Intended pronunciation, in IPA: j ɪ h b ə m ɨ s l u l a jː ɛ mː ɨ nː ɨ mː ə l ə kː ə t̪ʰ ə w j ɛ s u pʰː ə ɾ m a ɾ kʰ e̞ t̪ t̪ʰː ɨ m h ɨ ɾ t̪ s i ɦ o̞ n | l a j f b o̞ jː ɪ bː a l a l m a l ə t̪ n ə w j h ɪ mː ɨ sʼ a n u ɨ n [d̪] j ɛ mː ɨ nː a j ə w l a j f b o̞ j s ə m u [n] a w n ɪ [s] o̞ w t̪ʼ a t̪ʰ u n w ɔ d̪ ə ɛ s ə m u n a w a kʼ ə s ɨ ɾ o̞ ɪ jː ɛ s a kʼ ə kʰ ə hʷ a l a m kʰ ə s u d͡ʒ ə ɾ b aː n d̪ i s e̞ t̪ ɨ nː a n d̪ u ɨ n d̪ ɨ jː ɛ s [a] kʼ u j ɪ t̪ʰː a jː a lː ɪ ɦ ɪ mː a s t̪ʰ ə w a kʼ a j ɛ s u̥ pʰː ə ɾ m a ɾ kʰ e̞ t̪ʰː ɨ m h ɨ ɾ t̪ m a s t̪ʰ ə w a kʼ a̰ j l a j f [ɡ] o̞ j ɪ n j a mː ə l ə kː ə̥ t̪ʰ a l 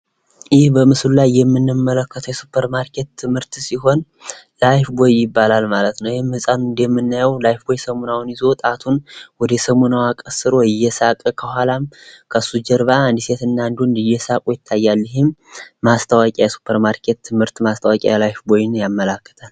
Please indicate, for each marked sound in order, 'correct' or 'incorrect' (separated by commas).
correct, correct, incorrect, correct, incorrect